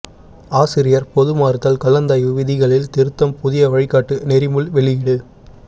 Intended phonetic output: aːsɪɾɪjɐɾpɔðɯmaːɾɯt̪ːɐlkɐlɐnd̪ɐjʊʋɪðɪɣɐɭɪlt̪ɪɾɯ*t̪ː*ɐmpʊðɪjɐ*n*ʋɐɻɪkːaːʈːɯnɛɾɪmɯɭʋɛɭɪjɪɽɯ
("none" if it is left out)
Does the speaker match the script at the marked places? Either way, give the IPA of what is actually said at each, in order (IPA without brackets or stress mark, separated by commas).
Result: t̪ː, none